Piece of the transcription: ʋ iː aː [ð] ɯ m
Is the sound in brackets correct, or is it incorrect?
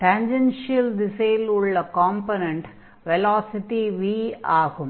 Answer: incorrect